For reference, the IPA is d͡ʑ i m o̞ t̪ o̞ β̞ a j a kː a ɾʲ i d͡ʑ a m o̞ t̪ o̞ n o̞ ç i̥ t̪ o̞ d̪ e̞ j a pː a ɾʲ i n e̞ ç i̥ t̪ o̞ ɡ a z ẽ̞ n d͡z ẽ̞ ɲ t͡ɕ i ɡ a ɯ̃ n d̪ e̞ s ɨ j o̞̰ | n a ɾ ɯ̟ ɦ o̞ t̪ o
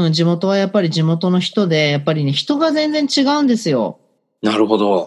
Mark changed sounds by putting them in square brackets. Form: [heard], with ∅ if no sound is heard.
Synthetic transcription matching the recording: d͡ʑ i m o̞ t̪ o̞ β̞ a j a [pː] a ɾʲ i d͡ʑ [i] m o̞ t̪ o̞ n o̞ ç i̥ t̪ o̞ d̪ e̞ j a pː a ɾʲ i n e̞ ç i̥ t̪ o̞ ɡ a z ẽ̞ n d͡z ẽ̞ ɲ t͡ɕ i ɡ a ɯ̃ n d̪ e̞ s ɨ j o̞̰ | n a ɾ ɯ̟ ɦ o̞ [d̪] o